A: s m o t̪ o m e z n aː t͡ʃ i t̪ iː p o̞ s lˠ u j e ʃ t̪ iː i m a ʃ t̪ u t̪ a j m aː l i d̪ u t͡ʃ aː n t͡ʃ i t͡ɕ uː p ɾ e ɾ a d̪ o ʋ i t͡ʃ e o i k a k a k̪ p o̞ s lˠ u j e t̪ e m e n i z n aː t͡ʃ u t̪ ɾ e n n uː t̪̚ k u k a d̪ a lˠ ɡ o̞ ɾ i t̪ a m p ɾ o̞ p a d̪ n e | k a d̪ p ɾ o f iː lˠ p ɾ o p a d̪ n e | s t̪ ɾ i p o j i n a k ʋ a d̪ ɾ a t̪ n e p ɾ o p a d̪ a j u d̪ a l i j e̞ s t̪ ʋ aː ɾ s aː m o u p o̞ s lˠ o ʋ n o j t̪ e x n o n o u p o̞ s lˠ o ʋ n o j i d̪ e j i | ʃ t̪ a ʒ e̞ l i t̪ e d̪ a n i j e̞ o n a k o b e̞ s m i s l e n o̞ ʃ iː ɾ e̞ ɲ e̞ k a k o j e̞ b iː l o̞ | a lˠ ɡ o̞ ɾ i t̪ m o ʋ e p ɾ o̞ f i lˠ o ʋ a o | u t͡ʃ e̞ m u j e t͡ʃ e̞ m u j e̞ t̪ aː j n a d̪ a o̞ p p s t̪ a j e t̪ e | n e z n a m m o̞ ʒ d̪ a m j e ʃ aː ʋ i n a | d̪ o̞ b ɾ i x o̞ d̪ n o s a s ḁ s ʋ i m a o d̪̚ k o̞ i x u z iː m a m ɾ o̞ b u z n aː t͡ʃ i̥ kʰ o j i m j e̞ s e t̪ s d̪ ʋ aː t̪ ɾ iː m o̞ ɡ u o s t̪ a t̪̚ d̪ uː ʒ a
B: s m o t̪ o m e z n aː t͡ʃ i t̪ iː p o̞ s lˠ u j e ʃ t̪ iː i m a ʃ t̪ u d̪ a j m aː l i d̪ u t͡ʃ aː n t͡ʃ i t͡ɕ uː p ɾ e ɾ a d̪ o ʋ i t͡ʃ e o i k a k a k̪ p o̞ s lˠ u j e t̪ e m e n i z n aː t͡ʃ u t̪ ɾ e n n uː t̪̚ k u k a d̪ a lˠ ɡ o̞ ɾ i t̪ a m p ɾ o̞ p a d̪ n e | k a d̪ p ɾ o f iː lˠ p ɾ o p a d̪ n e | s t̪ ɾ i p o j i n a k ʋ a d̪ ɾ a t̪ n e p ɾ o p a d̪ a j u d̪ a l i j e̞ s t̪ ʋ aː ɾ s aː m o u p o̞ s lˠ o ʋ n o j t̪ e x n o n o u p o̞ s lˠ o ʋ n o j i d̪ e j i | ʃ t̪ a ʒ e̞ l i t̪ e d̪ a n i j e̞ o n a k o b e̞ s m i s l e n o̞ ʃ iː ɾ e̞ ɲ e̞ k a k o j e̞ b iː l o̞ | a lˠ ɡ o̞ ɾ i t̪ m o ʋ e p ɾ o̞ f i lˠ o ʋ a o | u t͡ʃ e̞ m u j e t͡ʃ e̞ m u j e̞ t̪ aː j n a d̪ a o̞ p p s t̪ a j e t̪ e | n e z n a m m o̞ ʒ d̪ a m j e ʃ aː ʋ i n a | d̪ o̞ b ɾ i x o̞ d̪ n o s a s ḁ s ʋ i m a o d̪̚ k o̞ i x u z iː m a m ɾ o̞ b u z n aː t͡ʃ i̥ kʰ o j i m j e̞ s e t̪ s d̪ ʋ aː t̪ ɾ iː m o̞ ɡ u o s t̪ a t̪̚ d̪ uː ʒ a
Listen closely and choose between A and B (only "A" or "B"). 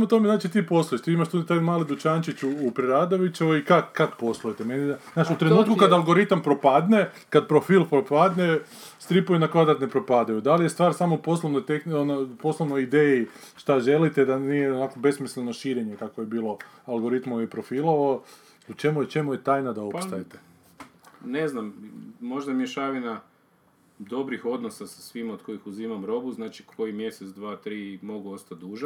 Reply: A